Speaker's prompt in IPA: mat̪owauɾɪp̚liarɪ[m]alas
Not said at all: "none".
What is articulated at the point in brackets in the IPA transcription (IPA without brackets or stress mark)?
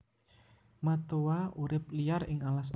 ŋ